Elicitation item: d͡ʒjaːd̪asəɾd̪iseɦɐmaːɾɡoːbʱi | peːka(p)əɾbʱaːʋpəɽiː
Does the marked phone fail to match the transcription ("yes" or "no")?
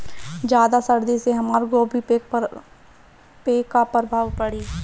no